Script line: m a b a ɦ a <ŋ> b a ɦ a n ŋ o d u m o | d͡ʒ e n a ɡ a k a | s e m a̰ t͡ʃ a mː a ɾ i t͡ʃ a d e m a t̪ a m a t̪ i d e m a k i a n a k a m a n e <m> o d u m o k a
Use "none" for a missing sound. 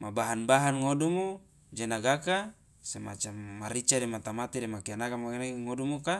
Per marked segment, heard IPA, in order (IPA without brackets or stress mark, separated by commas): n, ŋ